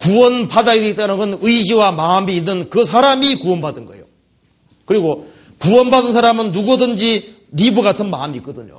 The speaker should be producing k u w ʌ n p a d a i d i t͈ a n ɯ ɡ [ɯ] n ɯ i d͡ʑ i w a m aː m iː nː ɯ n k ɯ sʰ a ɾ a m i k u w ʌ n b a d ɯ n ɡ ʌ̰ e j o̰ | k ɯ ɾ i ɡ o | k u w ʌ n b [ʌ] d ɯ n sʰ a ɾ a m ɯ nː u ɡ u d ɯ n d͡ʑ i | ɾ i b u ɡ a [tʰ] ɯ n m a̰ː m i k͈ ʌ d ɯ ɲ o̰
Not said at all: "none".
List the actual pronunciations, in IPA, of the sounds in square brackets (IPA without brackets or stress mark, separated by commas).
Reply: ɯ, a, tʰ